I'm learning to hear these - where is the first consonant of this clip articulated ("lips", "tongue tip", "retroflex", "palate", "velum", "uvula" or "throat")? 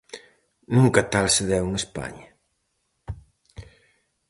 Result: tongue tip